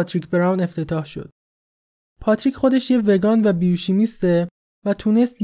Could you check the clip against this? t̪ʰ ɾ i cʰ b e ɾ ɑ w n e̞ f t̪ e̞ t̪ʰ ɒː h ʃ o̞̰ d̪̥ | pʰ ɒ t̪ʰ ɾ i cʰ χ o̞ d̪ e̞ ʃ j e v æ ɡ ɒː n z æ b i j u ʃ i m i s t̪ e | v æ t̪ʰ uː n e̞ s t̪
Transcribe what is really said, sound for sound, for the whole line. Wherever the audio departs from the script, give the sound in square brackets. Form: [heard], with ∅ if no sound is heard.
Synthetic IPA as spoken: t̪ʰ ɾ i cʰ b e ɾ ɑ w n e̞ f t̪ e̞ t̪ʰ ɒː h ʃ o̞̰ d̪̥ | pʰ ɒ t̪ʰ ɾ i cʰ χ o̞ d̪ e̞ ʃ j e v [e] ɡ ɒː n [v] æ b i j u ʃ i m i s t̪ e | v æ t̪ʰ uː n e̞ s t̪